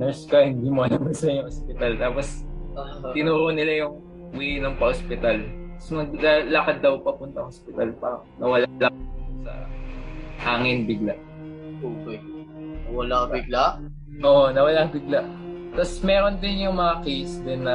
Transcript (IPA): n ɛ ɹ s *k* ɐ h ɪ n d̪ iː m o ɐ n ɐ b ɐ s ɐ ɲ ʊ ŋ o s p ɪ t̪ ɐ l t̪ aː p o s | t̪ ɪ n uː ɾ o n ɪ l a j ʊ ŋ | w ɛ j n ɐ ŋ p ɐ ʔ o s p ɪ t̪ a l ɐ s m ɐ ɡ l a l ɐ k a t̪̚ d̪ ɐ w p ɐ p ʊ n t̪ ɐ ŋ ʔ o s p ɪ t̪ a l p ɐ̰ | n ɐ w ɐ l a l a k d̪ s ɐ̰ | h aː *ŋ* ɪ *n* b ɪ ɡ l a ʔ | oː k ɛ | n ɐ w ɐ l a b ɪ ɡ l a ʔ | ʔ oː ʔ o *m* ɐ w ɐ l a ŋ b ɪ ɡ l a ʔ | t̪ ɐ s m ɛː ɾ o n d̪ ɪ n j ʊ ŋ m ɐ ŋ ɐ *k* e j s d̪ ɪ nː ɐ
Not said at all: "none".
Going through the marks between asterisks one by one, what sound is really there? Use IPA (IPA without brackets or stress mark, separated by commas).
k, ŋ, n, n, k